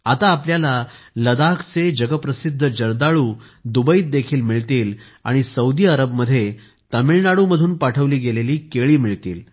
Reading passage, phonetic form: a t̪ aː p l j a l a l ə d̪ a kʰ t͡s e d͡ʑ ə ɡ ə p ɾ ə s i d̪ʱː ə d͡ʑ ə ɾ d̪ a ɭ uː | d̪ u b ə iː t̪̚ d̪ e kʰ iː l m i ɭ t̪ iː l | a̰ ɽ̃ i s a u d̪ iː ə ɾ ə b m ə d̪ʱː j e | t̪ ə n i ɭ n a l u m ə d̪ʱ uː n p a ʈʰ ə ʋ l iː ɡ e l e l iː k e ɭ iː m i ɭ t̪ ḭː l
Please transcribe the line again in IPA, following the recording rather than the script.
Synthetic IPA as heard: a t̪ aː p l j a l a l ə d̪ a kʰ t͡s e d͡ʑ ə ɡ ə p ɾ ə s i d̪ʱː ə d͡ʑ ə ɾ d̪ a ɭ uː | d̪ u b ə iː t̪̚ d̪ e kʰ iː l m i ɭ t̪ iː l | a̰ ɽ̃ i s ə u d̪ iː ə ɾ ə b m ə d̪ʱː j e | t̪ ə m i ɭ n a ɽ u m ə d̪ʱ uː n p a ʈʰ ə ʋ l iː ɡ e l e l iː k e ɭ iː m i ɭ t̪ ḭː l